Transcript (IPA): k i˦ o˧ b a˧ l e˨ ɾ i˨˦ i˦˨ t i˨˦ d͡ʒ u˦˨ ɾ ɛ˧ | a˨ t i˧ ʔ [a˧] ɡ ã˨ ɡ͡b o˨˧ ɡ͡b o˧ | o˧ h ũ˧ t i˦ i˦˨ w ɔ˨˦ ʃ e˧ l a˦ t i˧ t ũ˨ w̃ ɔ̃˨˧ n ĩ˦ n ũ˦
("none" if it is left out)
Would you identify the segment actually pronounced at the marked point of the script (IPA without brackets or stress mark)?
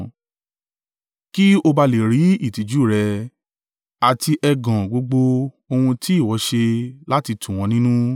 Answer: ɛ˧